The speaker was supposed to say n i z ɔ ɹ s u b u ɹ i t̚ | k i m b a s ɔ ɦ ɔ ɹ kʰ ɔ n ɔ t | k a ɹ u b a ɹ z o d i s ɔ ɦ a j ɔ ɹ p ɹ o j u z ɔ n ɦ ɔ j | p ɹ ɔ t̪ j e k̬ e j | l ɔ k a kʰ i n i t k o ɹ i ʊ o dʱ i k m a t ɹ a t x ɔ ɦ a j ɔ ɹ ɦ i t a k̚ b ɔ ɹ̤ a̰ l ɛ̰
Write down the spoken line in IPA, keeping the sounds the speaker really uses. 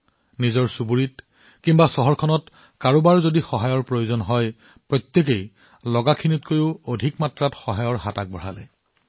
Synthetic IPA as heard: n i z ɔ ɹ s u b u ɹ i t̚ | k i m b a s ɔ ɦ ɔ ɹ kʰ ɔ n ɔ t | k a ɹ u b a ɹ z o d i x ɔ ɦ a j ɔ ɹ p ɹ o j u z ɔ n ɦ ɔ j | p ɹ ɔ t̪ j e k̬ e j | l ɔ ɡ a kʰ i n i t k o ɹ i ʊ o dʱ i k m a t ɹ a t x ɔ ɦ a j ɔ ɹ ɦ a t a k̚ b ɔ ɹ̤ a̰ l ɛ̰